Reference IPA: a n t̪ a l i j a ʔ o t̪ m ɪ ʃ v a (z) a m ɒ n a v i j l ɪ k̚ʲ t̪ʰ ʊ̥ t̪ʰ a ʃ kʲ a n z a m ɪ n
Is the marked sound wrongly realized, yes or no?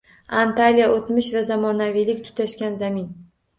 no